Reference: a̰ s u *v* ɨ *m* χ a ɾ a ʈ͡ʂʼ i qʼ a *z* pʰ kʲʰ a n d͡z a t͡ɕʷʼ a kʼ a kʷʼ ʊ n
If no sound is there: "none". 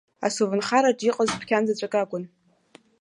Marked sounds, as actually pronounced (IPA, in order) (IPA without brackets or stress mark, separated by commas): v, n, z